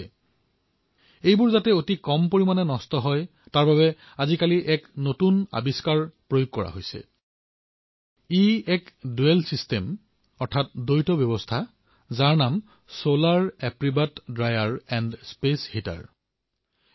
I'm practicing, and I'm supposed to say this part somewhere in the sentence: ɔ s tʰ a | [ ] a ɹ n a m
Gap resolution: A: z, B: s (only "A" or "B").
A